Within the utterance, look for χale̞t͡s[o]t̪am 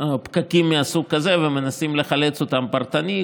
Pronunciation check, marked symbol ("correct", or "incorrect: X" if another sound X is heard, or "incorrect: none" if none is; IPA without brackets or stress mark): correct